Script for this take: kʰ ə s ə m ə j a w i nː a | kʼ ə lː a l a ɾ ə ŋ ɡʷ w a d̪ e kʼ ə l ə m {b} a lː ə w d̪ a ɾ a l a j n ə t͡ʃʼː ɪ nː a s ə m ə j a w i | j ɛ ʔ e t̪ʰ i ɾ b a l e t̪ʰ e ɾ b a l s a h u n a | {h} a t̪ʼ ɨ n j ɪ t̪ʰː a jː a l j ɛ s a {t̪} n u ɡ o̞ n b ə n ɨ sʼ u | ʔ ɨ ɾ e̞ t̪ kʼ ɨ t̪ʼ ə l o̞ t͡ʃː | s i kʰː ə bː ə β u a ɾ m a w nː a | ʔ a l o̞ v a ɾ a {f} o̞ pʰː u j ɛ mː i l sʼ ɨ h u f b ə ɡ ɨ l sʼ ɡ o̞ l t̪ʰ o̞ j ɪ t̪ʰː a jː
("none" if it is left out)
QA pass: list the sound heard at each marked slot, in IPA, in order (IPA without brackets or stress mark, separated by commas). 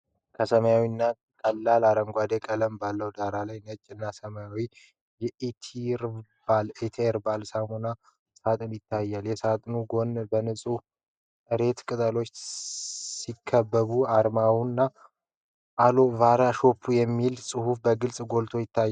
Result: b, s, t̪ʼ, ʃ